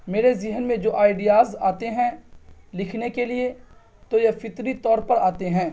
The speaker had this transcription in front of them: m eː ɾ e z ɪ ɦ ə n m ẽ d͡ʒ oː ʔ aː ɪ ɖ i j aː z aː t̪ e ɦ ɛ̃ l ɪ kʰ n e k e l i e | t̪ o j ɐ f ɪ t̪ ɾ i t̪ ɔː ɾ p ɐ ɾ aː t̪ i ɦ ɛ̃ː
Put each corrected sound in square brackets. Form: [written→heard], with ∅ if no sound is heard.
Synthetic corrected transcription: m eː ɾ e z ɪ ɦ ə n m ẽ d͡ʒ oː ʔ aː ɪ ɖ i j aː z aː t̪ e ɦ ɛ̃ l ɪ kʰ n e k e l i e | t̪ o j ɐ f ɪ t̪ ɾ i t̪ ɔː ɾ p ɐ ɾ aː t̪ [i→e] ɦ ɛ̃ː